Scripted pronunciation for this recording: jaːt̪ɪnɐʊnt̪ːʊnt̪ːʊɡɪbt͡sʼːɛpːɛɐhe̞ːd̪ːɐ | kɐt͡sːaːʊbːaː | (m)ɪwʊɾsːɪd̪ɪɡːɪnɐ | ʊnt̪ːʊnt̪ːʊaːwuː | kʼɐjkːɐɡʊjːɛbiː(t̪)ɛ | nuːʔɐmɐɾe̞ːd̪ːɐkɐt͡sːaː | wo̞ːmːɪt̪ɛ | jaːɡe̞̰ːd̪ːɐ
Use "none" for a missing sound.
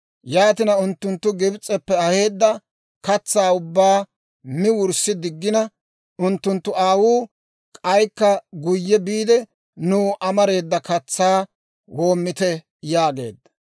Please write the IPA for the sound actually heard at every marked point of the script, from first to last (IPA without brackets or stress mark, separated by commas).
m, d̪